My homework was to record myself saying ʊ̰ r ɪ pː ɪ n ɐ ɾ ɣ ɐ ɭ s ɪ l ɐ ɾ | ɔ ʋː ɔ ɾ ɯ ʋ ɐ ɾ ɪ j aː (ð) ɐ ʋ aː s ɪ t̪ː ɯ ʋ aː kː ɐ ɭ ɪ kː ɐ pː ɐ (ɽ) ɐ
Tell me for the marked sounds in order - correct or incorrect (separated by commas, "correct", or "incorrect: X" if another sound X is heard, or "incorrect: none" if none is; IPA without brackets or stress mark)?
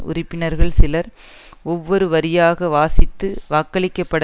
incorrect: ɣ, correct